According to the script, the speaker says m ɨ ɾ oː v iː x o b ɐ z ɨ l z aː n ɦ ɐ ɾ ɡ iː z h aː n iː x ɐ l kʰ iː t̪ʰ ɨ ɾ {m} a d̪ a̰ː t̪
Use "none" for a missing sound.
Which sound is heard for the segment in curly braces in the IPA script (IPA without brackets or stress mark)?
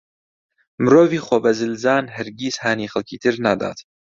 n